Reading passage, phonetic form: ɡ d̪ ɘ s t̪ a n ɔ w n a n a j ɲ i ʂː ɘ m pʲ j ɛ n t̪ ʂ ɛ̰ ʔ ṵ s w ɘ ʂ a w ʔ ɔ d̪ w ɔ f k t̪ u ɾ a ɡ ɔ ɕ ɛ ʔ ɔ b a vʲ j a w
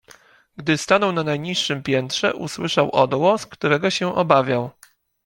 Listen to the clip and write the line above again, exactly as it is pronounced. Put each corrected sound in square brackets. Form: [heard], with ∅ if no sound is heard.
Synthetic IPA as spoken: ɡ d̪ ɘ s t̪ a n ɔ w n a n a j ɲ i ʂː ɘ m pʲ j ɛ n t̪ ʂ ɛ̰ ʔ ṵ s w ɘ ʂ a w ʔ ɔ d̪ w ɔ [s] k t̪ u ɾ [ɛ] ɡ ɔ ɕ ɛ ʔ ɔ b a vʲ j a w